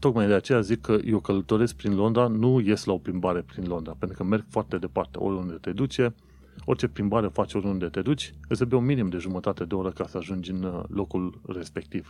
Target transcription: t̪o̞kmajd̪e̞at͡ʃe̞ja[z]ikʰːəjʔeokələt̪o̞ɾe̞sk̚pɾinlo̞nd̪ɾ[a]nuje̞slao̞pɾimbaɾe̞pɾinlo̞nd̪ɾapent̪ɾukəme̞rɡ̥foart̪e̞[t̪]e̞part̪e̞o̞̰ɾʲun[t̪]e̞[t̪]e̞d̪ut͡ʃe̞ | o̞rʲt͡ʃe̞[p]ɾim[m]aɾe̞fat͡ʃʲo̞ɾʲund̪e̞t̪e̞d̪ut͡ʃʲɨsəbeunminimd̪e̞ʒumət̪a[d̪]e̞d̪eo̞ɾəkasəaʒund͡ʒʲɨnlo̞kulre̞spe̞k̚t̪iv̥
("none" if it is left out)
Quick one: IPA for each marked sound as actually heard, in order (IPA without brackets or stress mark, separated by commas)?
z, a, d̪, d̪, t̪, p, b, t̪